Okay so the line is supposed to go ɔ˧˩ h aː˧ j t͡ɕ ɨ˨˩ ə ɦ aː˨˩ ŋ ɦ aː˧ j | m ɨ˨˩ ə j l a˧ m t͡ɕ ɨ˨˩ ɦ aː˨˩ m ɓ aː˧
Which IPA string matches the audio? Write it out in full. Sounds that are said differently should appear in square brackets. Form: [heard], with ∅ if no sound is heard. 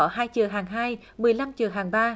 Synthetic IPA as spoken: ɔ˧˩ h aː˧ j t͡ɕ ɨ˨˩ ə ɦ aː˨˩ ŋ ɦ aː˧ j | m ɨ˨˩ ə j l a˧ m t͡ɕ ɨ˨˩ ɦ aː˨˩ [ŋ] ɓ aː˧